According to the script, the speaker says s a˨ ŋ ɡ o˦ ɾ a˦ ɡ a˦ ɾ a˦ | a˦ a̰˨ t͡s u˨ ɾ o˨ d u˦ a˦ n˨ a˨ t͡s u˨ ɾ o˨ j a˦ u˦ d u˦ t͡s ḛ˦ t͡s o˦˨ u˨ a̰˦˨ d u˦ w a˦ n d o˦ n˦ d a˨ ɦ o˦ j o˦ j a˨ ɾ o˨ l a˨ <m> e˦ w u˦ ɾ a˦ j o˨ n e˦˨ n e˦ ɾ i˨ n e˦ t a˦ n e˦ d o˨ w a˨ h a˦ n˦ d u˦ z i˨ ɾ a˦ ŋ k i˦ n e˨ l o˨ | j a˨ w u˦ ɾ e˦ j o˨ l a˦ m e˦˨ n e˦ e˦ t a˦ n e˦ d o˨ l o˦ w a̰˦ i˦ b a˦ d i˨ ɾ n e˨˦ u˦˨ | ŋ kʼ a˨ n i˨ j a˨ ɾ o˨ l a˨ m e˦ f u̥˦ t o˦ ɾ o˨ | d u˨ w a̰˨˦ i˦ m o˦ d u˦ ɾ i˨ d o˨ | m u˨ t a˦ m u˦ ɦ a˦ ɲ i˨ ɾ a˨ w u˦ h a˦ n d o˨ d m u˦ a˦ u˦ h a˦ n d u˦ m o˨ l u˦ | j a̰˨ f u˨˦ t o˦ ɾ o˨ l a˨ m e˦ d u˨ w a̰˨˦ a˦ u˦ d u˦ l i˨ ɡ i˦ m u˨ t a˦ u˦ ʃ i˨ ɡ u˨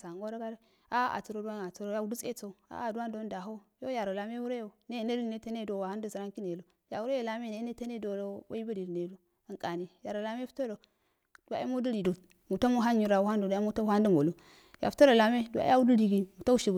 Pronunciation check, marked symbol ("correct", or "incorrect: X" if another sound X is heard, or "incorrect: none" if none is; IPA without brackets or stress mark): correct